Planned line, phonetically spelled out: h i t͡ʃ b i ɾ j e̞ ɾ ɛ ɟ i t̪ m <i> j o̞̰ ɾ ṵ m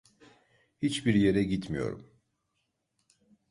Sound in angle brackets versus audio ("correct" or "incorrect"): correct